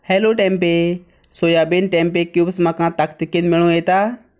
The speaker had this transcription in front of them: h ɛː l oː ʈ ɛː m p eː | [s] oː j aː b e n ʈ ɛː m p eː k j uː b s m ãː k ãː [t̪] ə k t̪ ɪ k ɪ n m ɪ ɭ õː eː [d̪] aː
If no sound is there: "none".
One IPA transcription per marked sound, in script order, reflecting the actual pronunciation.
s, t̪, t̪

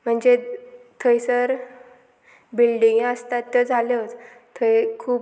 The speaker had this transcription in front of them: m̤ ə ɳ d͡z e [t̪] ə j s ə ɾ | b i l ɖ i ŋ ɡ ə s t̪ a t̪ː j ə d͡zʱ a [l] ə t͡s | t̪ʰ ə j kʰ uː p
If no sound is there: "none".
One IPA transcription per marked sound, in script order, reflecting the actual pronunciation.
t̪ʰ, l

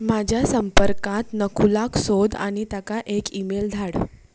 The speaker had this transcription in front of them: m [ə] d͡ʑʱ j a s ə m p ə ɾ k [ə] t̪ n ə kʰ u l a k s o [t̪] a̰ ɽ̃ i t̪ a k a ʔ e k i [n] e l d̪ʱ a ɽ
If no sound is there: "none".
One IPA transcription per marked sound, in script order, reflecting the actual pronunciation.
a, a, d̪, m

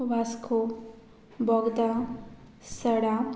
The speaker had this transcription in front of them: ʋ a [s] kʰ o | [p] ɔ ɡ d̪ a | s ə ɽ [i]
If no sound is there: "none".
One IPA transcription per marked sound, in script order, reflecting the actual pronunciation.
s, b, a

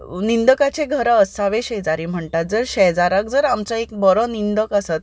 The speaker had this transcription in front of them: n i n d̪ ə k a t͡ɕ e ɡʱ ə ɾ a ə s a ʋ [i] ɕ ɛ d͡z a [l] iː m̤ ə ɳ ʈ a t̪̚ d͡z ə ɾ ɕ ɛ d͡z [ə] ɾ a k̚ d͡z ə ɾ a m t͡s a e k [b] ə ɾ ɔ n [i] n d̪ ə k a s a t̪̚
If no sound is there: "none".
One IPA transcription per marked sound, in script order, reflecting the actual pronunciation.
e, ɾ, a, b, i

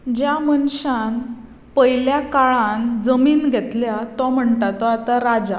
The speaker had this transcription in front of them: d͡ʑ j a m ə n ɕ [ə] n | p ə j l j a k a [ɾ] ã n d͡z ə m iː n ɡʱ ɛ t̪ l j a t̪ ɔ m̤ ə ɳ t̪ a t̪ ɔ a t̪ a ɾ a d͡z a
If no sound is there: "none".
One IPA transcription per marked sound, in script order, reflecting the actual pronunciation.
a, ɭ

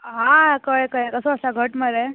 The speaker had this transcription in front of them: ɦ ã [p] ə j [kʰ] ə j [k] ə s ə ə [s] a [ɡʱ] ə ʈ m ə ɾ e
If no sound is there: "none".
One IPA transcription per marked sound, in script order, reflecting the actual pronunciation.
k, k, k, s, ɡʱ

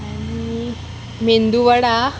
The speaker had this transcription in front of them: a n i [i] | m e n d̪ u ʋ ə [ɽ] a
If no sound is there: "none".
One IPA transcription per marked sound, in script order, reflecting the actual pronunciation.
i, ɽ

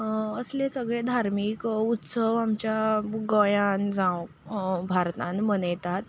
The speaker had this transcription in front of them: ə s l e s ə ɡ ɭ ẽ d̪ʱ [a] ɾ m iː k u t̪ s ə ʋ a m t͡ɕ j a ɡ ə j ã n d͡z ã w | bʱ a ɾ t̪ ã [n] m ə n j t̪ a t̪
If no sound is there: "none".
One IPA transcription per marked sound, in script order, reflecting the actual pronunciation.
a, n

